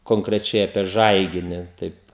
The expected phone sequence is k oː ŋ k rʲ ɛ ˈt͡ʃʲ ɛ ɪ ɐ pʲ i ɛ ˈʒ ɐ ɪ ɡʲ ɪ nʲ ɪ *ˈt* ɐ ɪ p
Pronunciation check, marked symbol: correct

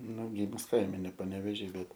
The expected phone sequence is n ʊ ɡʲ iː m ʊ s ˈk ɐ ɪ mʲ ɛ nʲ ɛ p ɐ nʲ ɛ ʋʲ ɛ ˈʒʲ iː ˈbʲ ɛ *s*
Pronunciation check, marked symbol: incorrect: t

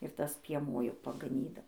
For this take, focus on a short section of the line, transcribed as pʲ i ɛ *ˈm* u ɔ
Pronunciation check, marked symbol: correct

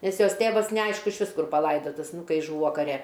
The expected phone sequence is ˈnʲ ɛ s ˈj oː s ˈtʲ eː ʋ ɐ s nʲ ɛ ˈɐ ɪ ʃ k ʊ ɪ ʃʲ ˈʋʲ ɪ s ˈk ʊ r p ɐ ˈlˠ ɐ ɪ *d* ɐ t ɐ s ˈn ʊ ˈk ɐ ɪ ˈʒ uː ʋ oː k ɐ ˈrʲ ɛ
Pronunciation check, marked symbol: correct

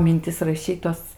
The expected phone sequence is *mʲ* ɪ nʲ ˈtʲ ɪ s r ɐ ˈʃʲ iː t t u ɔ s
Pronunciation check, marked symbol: correct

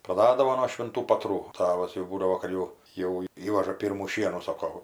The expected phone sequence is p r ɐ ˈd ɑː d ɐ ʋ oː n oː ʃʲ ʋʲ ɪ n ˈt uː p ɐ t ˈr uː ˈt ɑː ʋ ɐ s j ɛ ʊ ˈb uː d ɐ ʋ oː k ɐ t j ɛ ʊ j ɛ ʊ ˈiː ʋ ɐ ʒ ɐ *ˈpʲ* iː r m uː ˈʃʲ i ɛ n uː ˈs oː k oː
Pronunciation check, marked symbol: correct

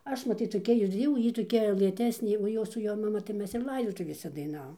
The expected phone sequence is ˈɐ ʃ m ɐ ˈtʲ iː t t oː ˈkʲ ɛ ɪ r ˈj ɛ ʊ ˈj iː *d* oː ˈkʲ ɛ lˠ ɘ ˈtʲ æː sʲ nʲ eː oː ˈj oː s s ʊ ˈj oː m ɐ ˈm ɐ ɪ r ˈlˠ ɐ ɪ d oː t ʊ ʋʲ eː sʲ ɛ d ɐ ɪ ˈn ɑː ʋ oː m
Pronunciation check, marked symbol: incorrect: t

